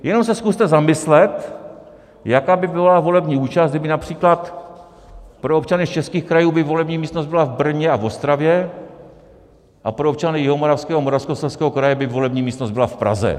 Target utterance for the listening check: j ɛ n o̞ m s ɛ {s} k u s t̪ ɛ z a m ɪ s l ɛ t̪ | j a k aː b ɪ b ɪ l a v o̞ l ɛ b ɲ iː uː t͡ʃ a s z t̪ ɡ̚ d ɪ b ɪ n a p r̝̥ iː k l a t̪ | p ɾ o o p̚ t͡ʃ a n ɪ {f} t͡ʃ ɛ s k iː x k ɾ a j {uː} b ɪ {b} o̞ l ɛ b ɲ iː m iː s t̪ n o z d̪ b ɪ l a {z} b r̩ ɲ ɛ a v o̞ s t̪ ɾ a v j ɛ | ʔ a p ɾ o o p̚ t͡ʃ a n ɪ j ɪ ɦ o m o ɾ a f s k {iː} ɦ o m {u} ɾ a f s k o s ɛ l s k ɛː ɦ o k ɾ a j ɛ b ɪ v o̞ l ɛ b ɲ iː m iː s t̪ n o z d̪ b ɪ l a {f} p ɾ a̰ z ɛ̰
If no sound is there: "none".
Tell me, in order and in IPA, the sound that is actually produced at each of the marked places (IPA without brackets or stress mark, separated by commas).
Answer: s, s, uː, v, v, ɛː, o, f